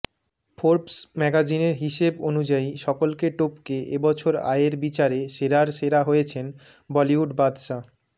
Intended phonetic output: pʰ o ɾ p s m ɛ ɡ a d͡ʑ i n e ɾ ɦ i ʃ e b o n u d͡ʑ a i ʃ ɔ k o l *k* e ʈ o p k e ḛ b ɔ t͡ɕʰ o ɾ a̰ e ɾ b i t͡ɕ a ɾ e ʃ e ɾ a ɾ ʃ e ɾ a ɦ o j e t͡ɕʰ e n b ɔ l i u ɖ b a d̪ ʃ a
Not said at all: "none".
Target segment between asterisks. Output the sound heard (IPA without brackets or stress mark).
k